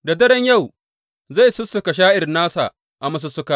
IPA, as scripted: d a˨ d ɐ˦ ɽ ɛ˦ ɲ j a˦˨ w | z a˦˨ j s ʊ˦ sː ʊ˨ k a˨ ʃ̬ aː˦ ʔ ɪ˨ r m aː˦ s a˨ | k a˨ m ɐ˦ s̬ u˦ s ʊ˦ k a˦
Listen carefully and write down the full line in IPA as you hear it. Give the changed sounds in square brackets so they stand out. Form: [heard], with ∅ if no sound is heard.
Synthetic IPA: d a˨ d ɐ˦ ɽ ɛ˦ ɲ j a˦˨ w | z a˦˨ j s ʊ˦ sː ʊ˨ k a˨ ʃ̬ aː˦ ʔ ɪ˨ r [n] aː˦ s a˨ | [ʔ] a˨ m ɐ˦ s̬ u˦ s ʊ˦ k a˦